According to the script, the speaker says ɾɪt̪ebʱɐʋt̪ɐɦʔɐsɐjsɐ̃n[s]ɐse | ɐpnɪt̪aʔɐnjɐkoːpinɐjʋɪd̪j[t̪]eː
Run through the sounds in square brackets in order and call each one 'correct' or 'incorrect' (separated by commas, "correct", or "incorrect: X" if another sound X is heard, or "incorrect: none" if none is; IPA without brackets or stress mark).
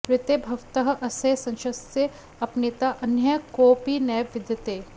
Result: incorrect: ʃ, correct